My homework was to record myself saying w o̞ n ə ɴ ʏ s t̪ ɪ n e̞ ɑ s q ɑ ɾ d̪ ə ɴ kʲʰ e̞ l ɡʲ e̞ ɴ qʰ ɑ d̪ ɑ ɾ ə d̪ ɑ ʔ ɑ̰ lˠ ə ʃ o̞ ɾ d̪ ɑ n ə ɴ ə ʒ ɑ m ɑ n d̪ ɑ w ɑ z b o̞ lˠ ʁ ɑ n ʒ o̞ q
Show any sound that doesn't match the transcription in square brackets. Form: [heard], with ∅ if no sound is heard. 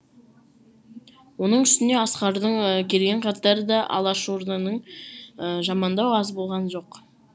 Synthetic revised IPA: w o̞ n ə ɴ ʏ s t̪ ɪ n e̞ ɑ s q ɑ ɾ d̪ ə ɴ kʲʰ e̞ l ɡʲ e̞ ɴ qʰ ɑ [t̪] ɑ ɾ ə d̪ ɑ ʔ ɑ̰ lˠ [ɑ] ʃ o̞ ɾ d̪ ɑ n ə ɴ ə ʒ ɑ m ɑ n d̪ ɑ w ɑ z b o̞ lˠ ʁ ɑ n ʒ o̞ q